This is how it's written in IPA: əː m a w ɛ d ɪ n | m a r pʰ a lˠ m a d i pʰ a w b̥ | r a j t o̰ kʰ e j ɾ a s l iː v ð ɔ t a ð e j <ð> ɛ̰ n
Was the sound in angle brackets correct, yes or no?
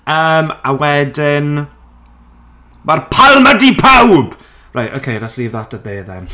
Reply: yes